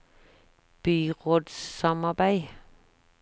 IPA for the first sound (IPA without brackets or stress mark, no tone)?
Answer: b̥